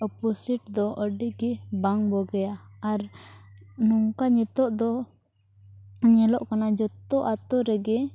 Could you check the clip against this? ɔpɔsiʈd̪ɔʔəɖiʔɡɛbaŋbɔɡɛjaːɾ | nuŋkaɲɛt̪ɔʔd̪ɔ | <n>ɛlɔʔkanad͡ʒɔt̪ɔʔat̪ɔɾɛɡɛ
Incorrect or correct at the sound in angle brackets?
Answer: incorrect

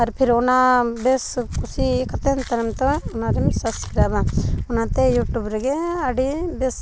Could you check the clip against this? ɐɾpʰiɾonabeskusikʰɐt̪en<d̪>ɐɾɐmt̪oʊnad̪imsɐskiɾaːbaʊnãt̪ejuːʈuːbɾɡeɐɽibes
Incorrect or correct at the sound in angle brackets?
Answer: incorrect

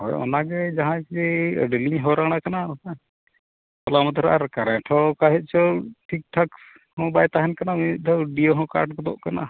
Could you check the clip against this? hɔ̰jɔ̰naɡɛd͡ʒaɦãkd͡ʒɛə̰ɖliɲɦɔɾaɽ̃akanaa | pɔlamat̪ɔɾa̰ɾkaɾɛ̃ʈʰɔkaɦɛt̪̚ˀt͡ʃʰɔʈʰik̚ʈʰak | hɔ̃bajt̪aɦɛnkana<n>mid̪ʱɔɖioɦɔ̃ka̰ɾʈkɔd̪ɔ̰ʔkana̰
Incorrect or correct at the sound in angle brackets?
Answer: incorrect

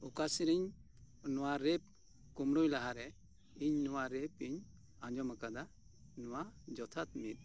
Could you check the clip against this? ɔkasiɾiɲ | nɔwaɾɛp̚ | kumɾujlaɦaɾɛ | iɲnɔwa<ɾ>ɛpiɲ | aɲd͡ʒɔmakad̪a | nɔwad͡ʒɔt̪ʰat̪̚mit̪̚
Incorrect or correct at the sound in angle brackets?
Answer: correct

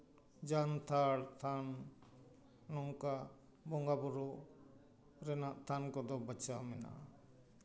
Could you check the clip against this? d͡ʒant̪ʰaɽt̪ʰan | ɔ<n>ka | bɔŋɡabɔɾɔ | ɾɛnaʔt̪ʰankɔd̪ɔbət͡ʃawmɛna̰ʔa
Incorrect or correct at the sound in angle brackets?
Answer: incorrect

